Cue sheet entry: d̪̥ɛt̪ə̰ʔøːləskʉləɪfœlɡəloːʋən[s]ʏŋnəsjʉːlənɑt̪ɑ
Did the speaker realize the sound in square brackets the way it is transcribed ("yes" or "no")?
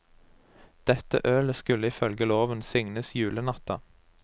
yes